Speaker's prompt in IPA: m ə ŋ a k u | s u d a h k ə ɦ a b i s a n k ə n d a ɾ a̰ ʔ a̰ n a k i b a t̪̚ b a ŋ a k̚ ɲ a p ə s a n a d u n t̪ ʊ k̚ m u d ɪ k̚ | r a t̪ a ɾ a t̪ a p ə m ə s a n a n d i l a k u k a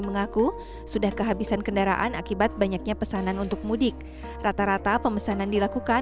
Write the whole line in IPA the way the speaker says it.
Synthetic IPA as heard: m ə ŋ a k u | s u d a h k ə ɦ a b i s a n k ə n d a ɾ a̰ ʔ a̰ n a k i b a t̪̚ b a ɲ a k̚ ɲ a p ə s a n a n u n t̪ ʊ k̚ m u d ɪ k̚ | r a t̪ a ɾ a t̪ a p ə m ə s a n a n d i l a k u k a